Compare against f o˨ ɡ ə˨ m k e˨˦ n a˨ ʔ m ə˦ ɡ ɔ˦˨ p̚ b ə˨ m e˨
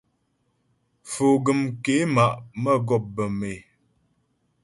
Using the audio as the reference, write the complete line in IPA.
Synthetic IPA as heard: f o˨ ɡ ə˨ m k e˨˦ m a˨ ʔ m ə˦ ɡ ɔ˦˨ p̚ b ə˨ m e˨